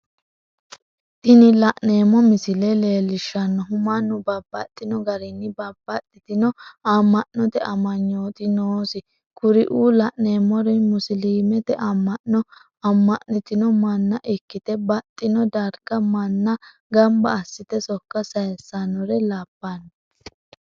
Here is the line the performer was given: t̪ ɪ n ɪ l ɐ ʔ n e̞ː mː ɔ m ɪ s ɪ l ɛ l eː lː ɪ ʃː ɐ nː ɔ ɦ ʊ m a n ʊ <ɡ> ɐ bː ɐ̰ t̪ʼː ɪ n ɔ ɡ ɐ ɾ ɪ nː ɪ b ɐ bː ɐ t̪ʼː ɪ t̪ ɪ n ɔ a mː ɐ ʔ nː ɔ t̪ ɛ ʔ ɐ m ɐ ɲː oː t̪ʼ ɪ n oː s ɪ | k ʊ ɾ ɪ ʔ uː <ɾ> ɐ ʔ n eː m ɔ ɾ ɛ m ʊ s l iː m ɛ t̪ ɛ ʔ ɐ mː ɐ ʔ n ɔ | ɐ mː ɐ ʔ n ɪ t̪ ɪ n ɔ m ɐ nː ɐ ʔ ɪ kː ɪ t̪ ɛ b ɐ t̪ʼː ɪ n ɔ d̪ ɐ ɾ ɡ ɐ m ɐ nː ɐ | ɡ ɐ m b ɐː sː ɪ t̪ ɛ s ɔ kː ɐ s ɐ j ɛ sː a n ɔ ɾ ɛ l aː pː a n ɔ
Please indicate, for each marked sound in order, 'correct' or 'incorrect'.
incorrect: b, incorrect: l

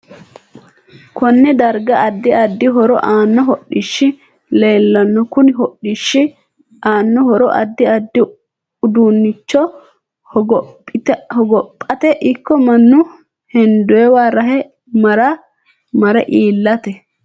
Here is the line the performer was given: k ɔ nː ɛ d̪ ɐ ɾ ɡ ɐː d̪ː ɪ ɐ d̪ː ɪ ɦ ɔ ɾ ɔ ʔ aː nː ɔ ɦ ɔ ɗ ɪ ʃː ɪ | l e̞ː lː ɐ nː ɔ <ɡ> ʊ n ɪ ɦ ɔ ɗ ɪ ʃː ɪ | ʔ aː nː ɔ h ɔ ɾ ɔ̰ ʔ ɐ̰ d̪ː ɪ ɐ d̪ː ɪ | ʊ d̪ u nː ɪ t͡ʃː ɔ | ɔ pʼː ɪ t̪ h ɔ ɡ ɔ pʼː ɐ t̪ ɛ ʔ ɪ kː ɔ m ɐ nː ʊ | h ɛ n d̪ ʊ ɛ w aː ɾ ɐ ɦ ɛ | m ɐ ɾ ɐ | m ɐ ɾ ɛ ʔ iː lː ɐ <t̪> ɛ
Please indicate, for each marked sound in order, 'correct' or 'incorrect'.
incorrect: k, correct

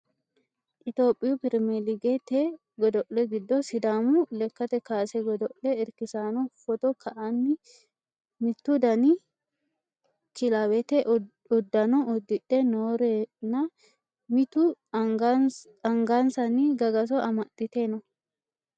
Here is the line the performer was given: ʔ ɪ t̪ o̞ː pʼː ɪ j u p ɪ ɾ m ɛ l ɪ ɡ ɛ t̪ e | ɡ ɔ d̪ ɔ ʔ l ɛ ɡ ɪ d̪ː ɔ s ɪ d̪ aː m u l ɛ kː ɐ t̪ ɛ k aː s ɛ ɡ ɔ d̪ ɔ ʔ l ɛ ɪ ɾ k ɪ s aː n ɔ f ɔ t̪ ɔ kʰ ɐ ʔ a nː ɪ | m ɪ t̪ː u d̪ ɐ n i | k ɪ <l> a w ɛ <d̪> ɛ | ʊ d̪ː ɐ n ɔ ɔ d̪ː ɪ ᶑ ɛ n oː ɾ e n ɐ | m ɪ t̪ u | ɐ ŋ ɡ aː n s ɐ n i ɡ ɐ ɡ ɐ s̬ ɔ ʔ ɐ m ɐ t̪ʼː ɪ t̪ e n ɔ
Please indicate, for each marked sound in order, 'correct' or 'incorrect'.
correct, incorrect: t̪

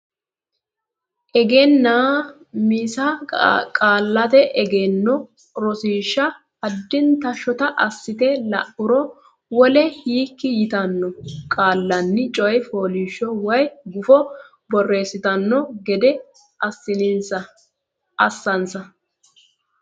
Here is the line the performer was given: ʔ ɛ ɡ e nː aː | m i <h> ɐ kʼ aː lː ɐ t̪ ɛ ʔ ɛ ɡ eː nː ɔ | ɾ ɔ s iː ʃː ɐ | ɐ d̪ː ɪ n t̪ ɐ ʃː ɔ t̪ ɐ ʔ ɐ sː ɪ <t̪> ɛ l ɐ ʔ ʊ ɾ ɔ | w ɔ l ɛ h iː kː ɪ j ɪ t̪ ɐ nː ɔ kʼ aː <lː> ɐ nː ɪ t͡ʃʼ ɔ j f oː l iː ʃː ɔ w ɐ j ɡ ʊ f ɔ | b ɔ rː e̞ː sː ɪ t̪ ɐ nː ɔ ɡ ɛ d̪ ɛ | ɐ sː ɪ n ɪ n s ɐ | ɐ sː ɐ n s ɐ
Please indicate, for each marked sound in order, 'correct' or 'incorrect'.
incorrect: s, correct, correct

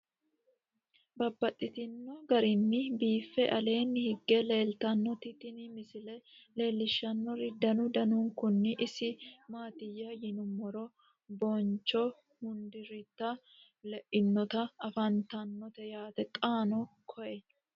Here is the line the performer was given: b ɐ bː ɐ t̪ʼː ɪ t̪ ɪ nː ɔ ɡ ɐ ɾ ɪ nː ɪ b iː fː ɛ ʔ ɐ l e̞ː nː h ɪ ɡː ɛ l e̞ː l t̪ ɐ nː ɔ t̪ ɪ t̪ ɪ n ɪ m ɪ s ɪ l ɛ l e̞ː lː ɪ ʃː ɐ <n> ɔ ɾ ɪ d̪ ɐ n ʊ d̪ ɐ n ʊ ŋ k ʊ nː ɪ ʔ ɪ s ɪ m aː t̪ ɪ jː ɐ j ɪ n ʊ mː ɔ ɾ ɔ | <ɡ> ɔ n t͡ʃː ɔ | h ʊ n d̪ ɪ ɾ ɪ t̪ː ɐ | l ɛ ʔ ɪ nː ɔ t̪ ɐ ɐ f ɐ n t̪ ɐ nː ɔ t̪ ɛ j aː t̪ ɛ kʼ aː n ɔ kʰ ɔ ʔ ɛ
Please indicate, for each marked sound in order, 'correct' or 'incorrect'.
incorrect: nː, incorrect: b

